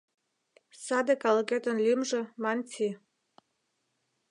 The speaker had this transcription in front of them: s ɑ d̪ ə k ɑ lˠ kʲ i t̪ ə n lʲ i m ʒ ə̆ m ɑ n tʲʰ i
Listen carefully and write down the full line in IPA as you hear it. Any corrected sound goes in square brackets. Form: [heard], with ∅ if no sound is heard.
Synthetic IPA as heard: s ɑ d̪ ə k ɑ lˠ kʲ [e] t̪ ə n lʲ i m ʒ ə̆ m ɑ n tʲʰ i